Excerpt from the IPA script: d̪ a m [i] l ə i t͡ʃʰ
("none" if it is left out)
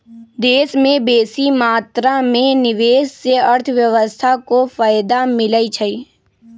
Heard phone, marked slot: ɪ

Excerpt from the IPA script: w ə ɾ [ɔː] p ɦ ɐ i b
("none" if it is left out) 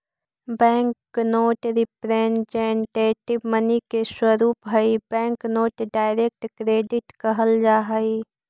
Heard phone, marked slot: uː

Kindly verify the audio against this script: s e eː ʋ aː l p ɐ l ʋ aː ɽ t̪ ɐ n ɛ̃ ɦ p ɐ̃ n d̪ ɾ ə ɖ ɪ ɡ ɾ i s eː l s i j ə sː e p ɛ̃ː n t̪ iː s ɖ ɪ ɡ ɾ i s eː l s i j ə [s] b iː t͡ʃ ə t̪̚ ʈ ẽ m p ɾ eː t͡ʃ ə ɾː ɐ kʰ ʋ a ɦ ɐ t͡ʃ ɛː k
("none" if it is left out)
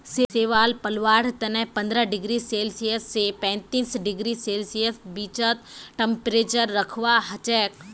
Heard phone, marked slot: s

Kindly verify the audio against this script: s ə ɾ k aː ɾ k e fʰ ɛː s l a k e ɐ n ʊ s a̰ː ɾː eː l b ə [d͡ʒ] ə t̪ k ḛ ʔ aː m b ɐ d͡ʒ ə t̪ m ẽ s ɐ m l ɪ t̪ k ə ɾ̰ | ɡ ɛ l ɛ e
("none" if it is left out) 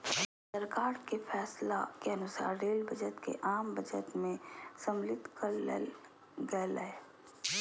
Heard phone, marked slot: d͡ʒ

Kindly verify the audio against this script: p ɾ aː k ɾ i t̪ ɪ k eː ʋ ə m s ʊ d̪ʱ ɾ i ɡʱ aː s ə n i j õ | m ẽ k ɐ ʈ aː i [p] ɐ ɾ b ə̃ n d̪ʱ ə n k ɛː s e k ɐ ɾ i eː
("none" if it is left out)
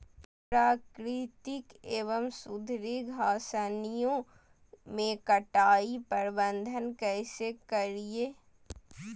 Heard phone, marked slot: p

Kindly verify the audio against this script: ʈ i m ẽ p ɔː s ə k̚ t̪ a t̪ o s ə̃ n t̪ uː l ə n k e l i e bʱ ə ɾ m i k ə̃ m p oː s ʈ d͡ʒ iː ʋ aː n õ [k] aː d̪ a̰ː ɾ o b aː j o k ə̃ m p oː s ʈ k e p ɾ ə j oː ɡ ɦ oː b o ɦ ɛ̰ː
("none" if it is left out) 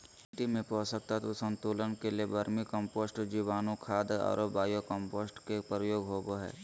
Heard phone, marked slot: kʰ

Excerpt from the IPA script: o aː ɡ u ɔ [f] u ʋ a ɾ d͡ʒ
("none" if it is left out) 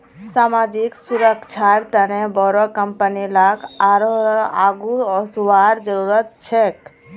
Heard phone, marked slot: s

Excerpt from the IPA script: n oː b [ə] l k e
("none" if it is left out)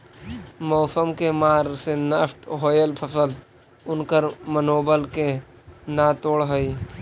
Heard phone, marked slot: ə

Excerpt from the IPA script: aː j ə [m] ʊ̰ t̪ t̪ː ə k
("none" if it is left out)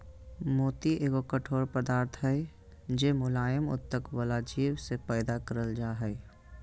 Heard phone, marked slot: m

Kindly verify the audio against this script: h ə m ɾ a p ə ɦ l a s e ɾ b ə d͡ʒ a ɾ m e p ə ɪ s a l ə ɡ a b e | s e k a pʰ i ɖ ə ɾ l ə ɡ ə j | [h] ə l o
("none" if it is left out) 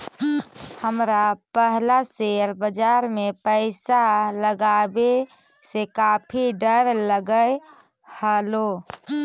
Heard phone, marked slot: h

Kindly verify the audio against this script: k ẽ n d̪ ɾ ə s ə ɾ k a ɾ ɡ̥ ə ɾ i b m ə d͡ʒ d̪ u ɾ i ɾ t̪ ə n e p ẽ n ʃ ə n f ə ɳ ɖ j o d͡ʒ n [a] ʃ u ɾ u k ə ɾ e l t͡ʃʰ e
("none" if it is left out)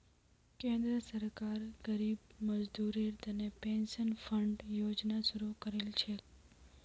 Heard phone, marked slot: a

